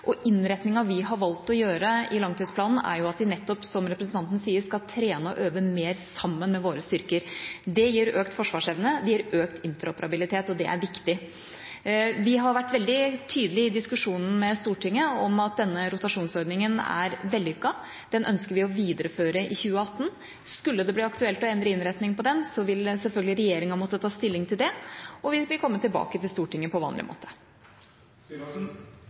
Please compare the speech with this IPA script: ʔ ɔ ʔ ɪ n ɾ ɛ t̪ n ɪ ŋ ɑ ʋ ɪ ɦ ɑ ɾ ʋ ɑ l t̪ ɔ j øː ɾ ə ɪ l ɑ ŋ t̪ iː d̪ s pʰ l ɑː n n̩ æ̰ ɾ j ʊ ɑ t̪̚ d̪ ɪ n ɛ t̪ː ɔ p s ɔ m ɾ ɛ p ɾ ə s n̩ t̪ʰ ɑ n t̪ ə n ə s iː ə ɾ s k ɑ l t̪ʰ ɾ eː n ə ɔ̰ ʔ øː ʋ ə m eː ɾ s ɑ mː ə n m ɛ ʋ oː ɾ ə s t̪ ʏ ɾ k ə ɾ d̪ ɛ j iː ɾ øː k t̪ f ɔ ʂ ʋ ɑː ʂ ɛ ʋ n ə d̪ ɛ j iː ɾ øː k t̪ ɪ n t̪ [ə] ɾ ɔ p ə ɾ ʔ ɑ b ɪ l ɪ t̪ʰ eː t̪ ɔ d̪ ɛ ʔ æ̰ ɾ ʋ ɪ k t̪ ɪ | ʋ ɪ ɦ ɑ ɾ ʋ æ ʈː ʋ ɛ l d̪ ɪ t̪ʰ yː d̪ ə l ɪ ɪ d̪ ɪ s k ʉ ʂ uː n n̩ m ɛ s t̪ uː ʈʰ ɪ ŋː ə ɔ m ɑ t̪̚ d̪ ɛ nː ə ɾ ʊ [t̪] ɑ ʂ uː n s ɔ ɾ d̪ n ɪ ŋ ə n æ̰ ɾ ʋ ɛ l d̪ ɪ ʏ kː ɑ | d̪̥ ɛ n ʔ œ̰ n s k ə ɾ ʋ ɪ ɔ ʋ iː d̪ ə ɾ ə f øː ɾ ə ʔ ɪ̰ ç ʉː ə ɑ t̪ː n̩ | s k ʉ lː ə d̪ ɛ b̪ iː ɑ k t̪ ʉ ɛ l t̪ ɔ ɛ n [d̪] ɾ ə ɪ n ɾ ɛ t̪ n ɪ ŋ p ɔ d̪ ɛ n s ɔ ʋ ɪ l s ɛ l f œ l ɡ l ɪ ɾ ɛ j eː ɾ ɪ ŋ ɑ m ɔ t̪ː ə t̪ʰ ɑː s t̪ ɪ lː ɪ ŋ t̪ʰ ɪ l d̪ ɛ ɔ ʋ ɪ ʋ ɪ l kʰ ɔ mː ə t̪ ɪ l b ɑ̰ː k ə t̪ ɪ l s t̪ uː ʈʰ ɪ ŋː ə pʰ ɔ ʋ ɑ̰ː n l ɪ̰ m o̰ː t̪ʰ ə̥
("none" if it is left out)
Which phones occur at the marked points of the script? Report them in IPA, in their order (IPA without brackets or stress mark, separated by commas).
ə, t̪, d̪